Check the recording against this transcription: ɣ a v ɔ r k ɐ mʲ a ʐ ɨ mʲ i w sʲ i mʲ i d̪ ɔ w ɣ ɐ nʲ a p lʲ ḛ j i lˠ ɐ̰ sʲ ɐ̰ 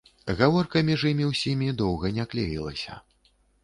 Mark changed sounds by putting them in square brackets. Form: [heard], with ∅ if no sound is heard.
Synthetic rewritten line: ɣ a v ɔ r k ɐ mʲ [i] ʐ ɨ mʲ i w sʲ i mʲ i d̪ ɔ w ɣ ɐ nʲ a [k] lʲ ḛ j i lˠ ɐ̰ sʲ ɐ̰